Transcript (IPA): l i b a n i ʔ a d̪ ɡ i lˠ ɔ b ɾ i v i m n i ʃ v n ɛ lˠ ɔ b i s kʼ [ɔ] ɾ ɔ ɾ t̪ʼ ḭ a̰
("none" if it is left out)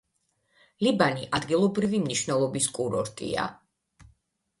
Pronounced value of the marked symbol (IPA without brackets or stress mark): u